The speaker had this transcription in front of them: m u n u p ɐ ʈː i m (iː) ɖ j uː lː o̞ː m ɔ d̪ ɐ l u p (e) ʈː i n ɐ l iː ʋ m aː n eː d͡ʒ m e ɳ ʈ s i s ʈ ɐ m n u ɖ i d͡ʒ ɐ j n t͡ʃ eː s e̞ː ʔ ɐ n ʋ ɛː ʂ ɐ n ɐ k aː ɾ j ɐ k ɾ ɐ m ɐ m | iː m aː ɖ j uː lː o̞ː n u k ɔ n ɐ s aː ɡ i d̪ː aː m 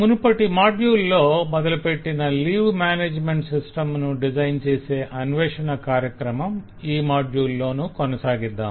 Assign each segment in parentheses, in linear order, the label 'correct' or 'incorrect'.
incorrect: aː, correct

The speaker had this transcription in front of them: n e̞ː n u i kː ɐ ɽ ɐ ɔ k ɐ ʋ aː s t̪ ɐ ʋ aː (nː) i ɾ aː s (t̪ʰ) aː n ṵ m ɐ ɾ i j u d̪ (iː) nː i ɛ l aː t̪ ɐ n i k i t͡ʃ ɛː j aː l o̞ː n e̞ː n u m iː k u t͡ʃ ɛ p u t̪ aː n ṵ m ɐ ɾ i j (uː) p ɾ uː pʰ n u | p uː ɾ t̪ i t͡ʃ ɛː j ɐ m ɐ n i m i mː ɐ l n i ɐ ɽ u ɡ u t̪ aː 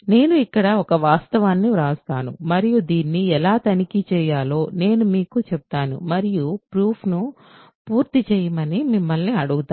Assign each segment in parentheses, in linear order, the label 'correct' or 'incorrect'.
correct, incorrect: t̪, correct, incorrect: u

